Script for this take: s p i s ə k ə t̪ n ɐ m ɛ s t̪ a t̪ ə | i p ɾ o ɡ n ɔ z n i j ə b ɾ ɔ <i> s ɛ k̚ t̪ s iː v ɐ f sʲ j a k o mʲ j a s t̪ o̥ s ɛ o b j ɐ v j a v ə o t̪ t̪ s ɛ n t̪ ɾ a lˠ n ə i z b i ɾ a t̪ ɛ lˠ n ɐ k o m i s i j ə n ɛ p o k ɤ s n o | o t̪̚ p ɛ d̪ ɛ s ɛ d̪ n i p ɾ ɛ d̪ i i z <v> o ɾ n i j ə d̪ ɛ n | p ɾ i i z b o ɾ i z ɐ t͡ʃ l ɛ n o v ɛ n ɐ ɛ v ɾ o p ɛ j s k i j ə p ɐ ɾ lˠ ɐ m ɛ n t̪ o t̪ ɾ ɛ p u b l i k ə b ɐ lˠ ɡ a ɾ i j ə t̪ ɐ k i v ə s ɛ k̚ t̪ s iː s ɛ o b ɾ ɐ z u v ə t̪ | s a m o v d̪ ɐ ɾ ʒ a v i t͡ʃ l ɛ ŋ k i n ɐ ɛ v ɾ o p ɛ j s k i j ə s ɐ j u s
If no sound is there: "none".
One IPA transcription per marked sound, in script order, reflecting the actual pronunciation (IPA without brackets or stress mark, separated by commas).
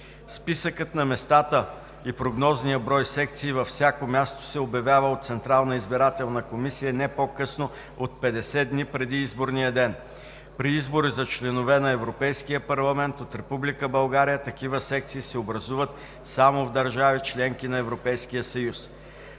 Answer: j, b